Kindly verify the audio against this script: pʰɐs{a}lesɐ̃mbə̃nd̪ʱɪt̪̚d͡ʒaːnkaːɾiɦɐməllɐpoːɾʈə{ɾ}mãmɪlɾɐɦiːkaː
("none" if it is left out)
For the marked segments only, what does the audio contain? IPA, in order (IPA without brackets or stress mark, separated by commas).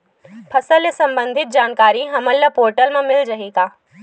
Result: ə, l